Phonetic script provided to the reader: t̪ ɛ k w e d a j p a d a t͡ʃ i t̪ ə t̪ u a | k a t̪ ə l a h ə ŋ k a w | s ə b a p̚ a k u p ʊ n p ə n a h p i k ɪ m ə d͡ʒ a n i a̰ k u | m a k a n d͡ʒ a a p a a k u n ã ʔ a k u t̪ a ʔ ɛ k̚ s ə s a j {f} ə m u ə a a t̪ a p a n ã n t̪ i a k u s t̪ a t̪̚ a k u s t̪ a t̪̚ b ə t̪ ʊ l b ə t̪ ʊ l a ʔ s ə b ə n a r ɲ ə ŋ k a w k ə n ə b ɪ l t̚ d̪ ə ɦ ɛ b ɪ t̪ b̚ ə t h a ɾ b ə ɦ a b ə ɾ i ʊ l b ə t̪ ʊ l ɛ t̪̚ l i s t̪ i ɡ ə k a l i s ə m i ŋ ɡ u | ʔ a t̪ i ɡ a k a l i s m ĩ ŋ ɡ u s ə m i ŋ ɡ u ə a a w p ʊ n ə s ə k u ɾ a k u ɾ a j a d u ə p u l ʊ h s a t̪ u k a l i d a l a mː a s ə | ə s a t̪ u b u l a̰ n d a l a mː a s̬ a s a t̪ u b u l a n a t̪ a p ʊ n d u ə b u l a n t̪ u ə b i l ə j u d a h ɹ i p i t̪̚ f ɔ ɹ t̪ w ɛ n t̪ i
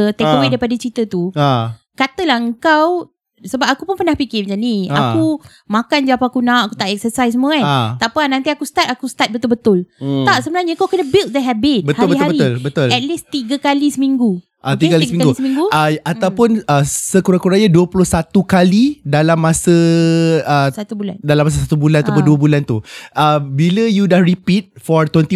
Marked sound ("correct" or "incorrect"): incorrect